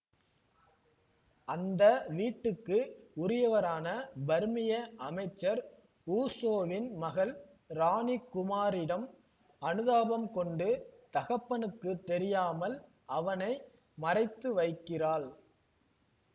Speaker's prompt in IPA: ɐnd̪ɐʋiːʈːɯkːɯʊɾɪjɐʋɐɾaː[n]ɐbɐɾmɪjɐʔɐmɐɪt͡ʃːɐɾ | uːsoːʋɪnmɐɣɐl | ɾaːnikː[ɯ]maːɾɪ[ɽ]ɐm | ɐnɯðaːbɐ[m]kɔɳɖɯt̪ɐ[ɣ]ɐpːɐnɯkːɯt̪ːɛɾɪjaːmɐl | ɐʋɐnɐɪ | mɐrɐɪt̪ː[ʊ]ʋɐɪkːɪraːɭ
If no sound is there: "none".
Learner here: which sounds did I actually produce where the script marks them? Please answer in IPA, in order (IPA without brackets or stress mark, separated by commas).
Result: n, ʊ, ɽ, m, ɣ, ɯ